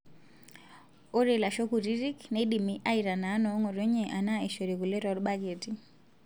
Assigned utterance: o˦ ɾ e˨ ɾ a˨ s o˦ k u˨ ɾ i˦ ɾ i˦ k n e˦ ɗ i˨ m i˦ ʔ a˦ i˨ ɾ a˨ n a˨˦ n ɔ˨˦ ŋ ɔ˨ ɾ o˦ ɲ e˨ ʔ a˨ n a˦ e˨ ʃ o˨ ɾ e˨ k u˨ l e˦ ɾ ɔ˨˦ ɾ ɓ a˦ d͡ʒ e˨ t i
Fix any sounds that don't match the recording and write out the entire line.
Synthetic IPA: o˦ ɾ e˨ l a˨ ʃ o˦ k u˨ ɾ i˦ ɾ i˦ k n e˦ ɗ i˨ m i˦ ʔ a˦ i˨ ɾ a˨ n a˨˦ n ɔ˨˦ ŋ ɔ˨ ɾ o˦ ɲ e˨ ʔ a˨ n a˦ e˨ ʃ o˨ ɾ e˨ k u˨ l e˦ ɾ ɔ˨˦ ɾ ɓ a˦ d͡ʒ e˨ t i